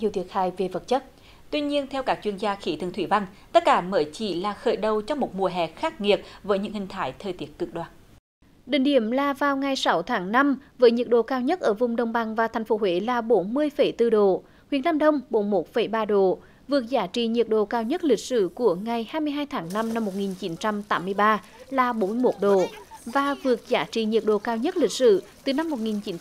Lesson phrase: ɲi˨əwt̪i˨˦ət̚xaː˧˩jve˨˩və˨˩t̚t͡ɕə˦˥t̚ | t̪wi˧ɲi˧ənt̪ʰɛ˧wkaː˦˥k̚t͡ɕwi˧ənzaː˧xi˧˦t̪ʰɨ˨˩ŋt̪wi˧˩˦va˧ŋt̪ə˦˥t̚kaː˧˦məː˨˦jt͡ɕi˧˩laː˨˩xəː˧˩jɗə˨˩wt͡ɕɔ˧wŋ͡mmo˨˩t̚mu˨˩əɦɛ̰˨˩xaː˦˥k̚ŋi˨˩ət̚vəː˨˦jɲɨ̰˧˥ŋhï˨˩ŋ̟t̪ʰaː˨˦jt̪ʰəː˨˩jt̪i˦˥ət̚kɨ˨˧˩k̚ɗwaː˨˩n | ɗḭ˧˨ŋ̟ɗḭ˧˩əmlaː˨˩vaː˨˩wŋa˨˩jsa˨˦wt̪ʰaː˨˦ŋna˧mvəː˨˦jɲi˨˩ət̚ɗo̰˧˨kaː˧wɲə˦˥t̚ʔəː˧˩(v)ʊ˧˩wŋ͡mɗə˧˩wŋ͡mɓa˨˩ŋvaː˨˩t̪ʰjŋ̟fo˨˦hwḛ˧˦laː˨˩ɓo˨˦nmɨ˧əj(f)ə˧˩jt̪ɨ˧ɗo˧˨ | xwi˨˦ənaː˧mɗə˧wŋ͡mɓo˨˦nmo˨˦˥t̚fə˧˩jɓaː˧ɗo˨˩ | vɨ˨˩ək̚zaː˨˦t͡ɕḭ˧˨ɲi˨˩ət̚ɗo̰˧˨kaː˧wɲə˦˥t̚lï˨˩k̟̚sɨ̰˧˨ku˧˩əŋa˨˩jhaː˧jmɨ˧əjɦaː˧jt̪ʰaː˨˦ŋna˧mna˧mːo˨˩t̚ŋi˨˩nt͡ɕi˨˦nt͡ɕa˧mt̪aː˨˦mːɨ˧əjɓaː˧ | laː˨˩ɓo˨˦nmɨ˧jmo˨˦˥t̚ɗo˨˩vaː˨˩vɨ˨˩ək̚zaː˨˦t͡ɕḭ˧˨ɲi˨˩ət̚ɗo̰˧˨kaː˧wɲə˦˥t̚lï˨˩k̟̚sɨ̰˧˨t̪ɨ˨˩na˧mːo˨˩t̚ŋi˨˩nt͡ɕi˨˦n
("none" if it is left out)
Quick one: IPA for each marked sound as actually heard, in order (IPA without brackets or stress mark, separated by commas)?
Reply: v, f